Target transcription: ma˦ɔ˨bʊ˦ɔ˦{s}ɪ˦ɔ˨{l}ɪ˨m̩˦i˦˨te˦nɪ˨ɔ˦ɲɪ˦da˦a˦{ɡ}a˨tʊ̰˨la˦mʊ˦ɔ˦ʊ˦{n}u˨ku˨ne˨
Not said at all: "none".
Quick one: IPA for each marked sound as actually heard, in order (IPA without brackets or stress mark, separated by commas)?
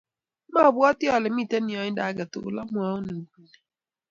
t, l, ɡ, n